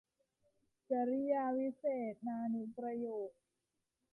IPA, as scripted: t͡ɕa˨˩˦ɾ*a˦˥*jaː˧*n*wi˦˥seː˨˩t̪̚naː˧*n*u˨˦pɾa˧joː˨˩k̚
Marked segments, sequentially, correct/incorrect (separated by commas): incorrect, incorrect, correct